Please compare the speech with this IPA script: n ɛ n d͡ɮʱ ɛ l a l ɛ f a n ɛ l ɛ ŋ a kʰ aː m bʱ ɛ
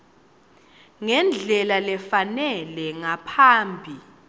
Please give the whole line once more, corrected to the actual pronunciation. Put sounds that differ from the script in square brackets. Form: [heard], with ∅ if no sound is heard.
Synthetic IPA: [ŋ] ɛ n d͡ɮʱ ɛ l a l ɛ f a n ɛ l ɛ ŋ a [pʰ] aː m bʱ [i]